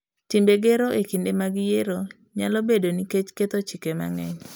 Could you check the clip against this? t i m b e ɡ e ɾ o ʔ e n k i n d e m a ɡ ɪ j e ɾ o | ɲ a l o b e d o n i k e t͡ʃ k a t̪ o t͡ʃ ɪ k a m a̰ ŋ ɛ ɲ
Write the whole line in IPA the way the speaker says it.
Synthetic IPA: t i m b e ɡ e ɾ o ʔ e k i n d e m a ɡ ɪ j e ɾ o | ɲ a l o b e d o n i k e t͡ʃ k e t̪ o t͡ʃ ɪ k e m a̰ ŋ ɛ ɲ